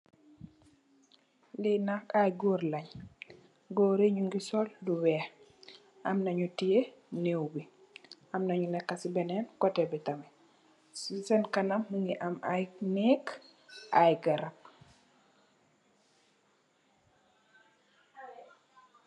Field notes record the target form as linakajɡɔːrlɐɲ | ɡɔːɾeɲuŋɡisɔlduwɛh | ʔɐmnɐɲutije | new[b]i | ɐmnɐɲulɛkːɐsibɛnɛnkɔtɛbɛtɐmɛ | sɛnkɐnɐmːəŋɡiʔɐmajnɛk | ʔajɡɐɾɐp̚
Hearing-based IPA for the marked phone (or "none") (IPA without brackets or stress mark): b